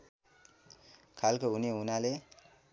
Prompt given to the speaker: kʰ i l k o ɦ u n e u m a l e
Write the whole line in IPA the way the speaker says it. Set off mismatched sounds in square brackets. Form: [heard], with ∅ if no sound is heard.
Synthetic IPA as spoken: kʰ [a] l k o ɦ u n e u [n] a l e